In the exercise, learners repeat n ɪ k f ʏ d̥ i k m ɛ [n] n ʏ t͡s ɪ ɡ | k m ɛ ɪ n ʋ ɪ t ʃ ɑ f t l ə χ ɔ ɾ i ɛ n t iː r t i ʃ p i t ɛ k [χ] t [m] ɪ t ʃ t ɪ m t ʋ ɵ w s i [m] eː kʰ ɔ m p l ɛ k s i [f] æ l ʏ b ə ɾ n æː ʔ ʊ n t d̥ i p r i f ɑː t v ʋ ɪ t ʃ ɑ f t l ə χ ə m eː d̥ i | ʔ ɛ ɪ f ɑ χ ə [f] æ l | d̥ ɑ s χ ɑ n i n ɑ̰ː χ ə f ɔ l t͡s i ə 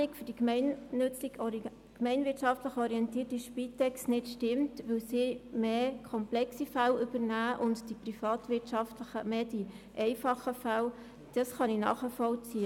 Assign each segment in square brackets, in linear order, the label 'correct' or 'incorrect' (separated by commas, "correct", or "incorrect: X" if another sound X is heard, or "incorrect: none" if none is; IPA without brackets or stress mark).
correct, incorrect: s, incorrect: n, correct, correct, correct